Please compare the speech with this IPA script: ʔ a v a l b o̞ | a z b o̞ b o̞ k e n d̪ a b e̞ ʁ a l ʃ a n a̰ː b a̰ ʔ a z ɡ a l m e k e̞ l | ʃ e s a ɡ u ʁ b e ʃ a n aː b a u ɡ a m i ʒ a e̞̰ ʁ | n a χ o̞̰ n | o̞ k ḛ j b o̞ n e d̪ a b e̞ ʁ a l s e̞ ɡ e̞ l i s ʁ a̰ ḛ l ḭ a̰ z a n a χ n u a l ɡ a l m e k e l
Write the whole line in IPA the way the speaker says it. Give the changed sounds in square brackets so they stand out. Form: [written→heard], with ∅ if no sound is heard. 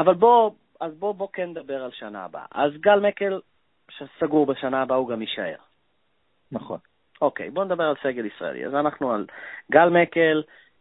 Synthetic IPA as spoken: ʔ a v a l b o̞ | a z b o̞ b o̞ k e n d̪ a b e̞ ʁ a l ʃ a n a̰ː b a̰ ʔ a z ɡ a l m e k e̞ l | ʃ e s a ɡ u ʁ b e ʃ a n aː b a u ɡ a m i [ʒ→ʃ] a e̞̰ ʁ | n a χ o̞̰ n | o̞ k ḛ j b o̞ n e d̪ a b e̞ ʁ a l s e̞ ɡ e̞ l i s ʁ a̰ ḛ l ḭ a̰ z a n a χ n u a l ɡ a l m e k e l